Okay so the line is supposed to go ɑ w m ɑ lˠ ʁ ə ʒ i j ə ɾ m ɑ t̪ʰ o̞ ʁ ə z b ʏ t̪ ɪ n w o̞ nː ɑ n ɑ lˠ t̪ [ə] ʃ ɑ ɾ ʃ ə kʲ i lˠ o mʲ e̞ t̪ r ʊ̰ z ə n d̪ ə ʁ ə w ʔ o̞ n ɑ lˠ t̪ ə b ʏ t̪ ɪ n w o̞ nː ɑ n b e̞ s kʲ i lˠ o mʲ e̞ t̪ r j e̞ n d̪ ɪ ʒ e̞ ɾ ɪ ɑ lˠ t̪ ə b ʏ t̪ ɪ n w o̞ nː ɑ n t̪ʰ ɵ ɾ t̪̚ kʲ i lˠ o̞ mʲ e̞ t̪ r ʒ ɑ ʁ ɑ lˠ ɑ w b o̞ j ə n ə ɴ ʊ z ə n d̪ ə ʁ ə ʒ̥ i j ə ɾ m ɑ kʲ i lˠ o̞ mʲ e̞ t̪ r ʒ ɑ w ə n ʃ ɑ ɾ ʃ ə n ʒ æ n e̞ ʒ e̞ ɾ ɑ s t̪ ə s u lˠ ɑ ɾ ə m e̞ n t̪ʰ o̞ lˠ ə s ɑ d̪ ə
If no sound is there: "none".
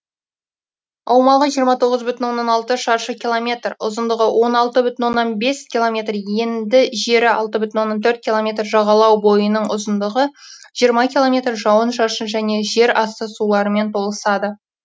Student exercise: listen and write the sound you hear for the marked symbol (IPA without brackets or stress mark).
ə